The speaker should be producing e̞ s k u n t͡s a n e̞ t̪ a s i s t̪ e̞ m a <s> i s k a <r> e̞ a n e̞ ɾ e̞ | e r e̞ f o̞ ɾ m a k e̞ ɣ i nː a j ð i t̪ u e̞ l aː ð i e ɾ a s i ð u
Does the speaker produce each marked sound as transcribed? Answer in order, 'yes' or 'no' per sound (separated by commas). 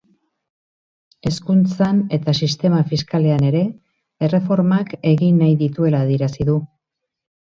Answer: no, no